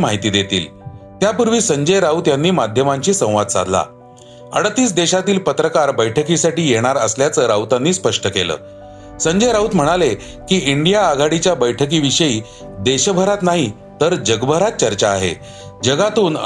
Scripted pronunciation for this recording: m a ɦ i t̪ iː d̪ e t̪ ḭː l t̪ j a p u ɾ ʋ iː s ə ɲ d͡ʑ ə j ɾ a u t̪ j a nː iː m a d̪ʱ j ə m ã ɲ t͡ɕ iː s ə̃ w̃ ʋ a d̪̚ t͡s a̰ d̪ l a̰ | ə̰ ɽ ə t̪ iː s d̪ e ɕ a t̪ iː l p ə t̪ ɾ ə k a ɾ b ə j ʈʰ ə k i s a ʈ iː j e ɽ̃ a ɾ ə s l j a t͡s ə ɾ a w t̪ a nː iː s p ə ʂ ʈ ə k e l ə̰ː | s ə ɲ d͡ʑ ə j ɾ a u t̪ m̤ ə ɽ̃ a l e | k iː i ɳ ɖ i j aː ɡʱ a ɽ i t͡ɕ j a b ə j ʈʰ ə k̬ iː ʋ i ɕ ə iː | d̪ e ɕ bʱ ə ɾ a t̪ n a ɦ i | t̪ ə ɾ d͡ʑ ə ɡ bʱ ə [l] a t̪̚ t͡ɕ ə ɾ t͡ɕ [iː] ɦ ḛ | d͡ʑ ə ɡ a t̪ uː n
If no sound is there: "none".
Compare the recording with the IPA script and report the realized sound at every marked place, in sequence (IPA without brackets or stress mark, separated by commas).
ɾ, aː